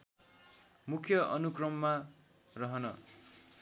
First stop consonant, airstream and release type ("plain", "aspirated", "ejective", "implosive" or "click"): aspirated